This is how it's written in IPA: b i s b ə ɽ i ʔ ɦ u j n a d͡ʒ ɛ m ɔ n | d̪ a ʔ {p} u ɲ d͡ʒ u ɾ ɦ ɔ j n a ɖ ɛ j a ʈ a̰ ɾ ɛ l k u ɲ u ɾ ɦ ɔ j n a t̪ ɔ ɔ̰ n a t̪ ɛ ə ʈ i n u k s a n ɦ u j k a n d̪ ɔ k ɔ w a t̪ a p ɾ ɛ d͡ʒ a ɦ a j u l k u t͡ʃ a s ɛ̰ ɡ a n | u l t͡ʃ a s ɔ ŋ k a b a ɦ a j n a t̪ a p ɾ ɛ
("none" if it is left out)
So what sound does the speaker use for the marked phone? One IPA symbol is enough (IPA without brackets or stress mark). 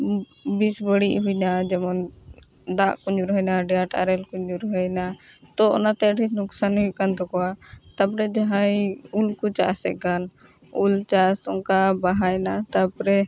k